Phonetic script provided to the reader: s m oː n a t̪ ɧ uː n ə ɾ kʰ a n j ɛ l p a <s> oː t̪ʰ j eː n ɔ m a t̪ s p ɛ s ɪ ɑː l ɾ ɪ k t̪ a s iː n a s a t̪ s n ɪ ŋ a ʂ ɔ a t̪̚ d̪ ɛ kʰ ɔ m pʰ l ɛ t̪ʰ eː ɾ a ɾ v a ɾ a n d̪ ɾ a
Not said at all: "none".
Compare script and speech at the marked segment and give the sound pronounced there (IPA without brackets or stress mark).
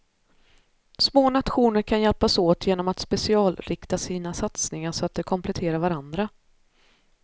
s